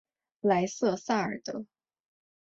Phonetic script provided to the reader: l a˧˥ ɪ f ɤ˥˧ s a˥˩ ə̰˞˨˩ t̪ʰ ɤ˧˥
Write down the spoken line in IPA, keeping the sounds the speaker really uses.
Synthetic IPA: l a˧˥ ɪ s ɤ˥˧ s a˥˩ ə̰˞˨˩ t̪ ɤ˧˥